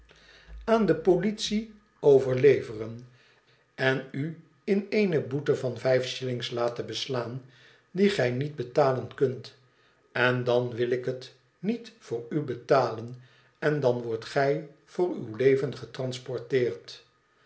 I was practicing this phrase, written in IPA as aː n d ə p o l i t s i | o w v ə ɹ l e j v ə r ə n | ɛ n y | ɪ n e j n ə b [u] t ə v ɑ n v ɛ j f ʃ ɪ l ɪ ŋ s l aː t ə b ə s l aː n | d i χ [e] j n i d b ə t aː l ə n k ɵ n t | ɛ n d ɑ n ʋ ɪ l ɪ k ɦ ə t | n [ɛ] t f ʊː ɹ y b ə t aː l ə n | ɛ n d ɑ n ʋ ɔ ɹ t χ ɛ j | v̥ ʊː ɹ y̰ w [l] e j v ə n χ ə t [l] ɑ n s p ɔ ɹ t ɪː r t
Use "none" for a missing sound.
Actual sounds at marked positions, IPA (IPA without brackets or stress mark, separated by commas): u, ɛ, i, l, r